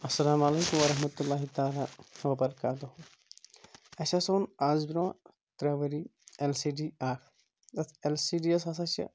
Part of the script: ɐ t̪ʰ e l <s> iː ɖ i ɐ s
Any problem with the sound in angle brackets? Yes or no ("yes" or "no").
no